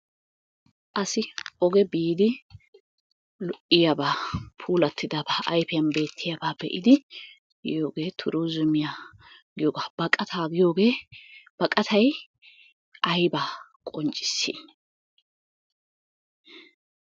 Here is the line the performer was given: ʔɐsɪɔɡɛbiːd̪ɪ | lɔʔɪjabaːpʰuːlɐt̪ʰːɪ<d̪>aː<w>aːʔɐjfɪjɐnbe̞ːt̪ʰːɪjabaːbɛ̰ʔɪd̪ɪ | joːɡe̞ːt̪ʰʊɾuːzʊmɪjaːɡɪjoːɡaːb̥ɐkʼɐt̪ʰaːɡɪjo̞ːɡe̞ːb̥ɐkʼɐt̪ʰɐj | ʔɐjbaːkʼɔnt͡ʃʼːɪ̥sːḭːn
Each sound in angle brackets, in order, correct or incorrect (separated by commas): correct, incorrect